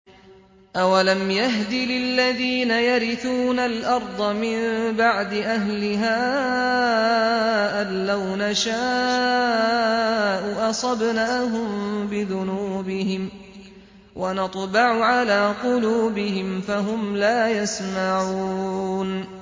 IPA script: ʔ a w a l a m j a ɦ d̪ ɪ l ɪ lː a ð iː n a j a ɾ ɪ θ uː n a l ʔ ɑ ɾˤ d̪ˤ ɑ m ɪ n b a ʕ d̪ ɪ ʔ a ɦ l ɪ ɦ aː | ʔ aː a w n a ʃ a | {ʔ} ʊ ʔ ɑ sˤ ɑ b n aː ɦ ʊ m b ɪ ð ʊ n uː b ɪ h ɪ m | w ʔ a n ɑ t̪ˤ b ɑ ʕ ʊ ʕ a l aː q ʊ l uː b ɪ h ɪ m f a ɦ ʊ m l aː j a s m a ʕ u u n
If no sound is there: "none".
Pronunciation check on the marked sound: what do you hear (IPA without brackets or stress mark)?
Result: ʔ